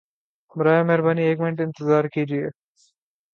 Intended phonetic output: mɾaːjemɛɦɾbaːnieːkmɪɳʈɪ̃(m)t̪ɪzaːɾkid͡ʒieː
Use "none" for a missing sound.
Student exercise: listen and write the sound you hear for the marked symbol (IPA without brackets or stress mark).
n